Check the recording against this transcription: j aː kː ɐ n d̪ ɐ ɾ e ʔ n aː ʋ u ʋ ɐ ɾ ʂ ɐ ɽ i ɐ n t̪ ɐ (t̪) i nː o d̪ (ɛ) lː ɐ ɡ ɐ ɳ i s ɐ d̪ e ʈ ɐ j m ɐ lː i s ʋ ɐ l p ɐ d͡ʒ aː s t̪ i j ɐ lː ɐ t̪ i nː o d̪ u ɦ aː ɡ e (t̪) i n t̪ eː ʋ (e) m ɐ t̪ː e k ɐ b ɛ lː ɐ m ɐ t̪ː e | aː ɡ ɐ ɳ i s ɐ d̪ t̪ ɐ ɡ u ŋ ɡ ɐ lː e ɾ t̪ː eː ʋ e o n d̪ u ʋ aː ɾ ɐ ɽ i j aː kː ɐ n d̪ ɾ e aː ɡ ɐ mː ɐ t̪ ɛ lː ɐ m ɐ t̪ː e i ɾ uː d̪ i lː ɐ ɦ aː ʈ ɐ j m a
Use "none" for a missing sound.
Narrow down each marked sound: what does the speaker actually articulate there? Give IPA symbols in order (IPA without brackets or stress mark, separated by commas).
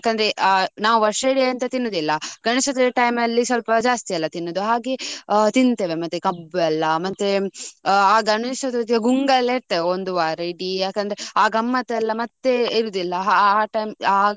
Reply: t̪, i, t̪, e